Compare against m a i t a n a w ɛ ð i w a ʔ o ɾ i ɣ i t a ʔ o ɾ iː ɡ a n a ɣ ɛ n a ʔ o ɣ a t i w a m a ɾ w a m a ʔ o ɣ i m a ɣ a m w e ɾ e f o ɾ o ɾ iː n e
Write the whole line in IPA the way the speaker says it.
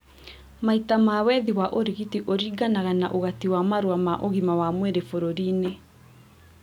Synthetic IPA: m a i t a m a w ɛ ð i w a ʔ o ɾ i ɣ i t i ʔ o ɾ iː ɡ a n a ɣ a n a ʔ o ɣ a t i w a m a ɾ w a m a ʔ o ɣ i m a w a m w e ɾ e f o ɾ o ɾ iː n e